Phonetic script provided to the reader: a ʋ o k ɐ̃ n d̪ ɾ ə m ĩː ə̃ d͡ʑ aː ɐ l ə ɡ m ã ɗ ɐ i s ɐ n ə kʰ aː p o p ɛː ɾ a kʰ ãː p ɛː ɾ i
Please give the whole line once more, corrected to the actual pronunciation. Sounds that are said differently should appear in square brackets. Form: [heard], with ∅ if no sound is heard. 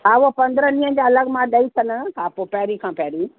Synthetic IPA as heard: a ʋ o [p] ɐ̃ n d̪ ɾ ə [n] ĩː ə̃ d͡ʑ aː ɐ l ə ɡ m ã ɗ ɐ i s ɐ n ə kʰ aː p o p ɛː ɾ [i] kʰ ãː p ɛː ɾ i